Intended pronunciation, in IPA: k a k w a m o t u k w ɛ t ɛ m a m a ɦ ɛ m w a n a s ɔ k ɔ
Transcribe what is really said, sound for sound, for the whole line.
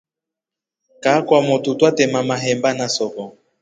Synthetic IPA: k a k w a m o t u t w a t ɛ m a m a ɦ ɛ m b a n a s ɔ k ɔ